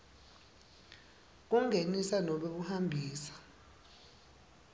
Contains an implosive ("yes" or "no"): yes